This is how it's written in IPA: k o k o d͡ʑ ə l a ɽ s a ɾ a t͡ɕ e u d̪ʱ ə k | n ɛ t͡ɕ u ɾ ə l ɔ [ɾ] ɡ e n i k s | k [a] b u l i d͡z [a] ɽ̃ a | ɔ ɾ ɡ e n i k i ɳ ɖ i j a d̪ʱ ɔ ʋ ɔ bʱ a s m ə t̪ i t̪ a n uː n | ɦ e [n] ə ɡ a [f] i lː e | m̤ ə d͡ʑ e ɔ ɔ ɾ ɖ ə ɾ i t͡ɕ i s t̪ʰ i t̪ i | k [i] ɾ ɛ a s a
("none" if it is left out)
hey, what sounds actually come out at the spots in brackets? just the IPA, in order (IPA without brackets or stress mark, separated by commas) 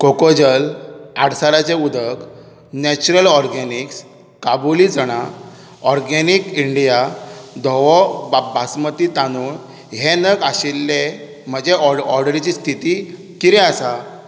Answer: ɾ, a, ə, n, ɕ, i